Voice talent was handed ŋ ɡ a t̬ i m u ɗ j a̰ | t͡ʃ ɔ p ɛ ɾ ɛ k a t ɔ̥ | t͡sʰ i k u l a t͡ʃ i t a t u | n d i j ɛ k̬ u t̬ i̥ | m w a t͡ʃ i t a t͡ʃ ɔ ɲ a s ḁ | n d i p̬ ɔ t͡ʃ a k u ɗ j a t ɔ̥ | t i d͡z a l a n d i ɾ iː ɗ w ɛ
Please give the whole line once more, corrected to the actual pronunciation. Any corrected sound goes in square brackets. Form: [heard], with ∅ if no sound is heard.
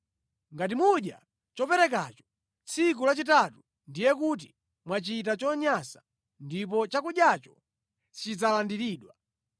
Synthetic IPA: ŋ ɡ a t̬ i m u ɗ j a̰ | t͡ʃ ɔ p ɛ ɾ ɛ k a [t͡ʃ] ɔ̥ | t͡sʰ i k u l a t͡ʃ i t a t u | n d i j ɛ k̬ u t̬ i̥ | m w a t͡ʃ i t a t͡ʃ ɔ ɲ a s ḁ | n d i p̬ ɔ t͡ʃ a k u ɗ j a [t͡ʃ] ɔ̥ | [t͡ʃ] i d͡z a l a n d i ɾ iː ɗ w [a]